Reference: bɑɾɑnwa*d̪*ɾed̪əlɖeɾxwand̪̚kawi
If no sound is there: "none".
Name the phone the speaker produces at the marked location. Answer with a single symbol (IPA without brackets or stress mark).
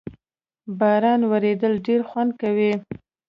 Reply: none